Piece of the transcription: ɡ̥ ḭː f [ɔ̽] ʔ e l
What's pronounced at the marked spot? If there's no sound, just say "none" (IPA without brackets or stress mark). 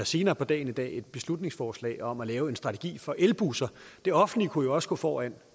ɒ̽